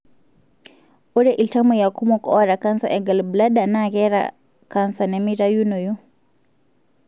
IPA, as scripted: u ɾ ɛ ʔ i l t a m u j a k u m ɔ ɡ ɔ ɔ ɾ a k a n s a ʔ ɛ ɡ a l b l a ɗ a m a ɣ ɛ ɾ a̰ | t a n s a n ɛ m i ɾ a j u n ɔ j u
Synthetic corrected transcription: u ɾ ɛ ʔ i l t a m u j a k u m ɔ k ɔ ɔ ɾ a k a n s a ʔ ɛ ɡ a l b l a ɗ a n a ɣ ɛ ɾ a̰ | k a n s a n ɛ m i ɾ a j u n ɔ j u